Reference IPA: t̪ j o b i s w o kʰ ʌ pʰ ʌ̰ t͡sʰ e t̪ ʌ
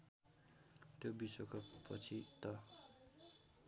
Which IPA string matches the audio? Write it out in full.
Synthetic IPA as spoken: t̪ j o b i s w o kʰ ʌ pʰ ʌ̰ t͡sʰ i t̪ ʌ